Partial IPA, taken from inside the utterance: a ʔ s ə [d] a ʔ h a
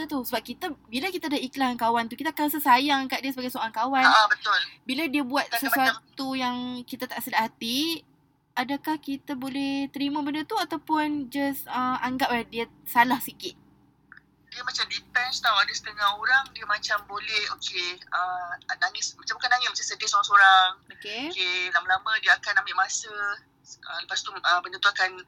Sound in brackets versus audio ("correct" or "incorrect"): correct